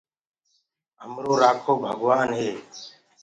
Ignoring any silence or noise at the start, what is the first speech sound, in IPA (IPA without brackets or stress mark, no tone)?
ə